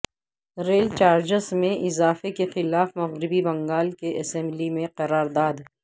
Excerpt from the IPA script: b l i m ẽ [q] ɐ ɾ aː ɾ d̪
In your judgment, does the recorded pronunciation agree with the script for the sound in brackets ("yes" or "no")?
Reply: yes